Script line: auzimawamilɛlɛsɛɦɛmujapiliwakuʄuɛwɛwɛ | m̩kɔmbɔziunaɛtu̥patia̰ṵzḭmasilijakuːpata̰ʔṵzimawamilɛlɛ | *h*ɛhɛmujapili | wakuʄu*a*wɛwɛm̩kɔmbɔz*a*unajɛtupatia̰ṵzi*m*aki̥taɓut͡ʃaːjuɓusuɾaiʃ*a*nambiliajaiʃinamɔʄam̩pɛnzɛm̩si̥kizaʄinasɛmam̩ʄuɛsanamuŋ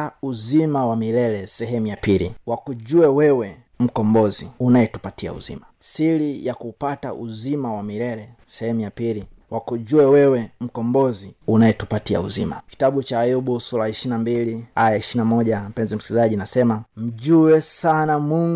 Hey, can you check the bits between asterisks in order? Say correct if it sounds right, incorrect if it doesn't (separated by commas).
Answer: incorrect, incorrect, incorrect, correct, incorrect